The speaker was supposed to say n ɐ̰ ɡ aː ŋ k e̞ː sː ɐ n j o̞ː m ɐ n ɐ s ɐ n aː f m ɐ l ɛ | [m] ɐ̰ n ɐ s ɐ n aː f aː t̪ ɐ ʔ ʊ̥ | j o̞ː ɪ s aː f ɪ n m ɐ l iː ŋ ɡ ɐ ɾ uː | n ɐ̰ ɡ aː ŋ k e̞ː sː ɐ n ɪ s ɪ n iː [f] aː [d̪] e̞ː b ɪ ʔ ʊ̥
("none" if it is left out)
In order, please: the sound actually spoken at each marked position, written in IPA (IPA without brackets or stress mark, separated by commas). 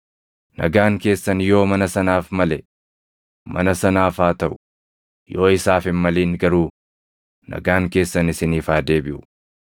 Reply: m, f, d̪